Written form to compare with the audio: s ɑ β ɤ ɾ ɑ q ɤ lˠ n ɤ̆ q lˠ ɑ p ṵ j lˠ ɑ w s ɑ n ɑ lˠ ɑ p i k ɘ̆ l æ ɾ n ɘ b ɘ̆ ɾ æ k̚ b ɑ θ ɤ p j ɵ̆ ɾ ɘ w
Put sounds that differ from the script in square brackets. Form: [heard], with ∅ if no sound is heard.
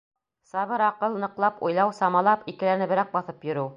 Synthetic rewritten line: s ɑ β ɤ ɾ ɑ q ɤ lˠ n ɤ̆ q lˠ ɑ p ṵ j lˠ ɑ w s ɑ [m] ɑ lˠ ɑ p i k ɘ̆ l æ ɾ n ɘ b ɘ̆ ɾ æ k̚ b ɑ θ ɤ p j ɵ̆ ɾ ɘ w